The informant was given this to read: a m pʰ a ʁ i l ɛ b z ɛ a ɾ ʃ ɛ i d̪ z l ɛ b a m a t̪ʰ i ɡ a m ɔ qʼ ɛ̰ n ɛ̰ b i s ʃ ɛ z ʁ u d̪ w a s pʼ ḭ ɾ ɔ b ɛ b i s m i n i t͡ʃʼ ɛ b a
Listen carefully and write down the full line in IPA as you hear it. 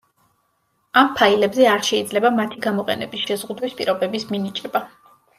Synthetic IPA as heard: a m pʰ a i l ɛ b z ɛ a ɾ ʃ ɛ i d̪ z l ɛ b a m a t̪ʰ i ɡ a m ɔ qʼ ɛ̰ n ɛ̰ b i s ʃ ɛ z ʁ u d̪ w i s pʼ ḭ ɾ ɔ b ɛ b i s m i n i t͡ʃʼ ɛ b a

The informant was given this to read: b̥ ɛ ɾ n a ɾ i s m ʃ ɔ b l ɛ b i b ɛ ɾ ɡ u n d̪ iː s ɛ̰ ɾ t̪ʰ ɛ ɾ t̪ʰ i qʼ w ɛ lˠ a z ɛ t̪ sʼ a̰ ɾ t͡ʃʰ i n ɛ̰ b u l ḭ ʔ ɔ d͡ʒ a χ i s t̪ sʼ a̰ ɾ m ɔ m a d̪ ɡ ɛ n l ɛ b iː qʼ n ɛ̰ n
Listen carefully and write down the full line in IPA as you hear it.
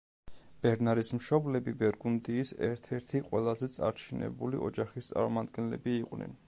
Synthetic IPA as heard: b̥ ɛ ɾ n a ɾ i s m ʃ ɔ b l ɛ b i b ɛ ɾ ɡ u n d̪ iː s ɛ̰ ɾ t̪ʰ ɛ ɾ t̪ʰ i qʼ w ɛ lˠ a z ɛ t̪ sʼ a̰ ɾ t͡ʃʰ i n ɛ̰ b u l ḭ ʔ ɔ d͡ʒ a χ i s t̪ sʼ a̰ ɾ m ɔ m a d̪ ɡ ɛ n l ɛ b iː qʼ n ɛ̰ n

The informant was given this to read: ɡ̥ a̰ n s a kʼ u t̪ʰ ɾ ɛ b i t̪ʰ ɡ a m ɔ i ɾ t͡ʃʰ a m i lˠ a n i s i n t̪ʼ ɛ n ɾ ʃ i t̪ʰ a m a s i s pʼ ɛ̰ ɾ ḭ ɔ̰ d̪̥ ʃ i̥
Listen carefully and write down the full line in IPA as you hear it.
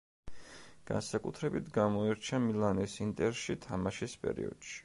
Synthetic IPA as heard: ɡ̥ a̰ n s a kʼ u t̪ʰ ɾ ɛ b i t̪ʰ ɡ a m ɔ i ɾ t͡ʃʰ a m i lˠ a n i s i n t̪ʼ ɛ ɾ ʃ i t̪ʰ a m a ʃ i s pʼ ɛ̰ ɾ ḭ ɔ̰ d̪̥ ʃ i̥

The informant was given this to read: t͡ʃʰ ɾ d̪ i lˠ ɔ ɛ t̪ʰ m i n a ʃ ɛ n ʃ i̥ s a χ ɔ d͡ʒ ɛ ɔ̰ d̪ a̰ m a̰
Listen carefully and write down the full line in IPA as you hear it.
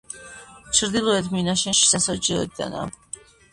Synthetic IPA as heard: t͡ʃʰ ɾ d̪ i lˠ ɔ ɛ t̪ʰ m i n a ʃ ɛ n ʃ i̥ s a s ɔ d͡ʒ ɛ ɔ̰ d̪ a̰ n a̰

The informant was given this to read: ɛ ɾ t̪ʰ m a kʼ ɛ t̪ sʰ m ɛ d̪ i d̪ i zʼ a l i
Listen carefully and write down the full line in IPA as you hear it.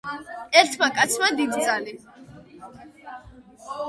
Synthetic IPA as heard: ɛ ɾ t̪ʰ m a kʼ a t̪ sʰ m a d̪ i d̪ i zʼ a l i

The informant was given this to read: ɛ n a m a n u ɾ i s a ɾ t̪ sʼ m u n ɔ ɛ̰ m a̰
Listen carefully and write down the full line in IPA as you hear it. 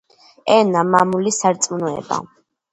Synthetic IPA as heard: ɛ n a m a m u l i s a ɾ t̪ sʼ m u n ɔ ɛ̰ b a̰

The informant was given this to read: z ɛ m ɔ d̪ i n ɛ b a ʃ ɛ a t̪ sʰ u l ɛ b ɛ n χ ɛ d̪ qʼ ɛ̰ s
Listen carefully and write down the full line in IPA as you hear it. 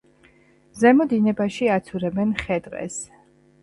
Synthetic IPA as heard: z ɛ m ɔ d̪ i n ɛ b a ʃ i a t̪ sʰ u ɾ ɛ b ɛ n χ ɛ d̪ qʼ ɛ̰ s

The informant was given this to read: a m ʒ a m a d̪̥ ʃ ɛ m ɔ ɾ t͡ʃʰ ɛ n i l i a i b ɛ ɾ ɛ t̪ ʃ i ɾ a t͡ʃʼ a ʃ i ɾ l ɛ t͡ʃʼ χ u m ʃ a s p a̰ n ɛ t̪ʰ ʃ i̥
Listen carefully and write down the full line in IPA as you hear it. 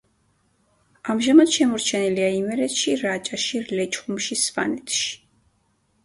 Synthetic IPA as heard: a m ʒ a m a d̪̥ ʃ ɛ m ɔ ɾ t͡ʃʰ ɛ n i l i a i m ɛ ɾ ɛ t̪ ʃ i ɾ a t͡ʃʼ a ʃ i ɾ l ɛ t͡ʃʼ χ u m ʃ i s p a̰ n ɛ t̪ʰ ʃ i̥

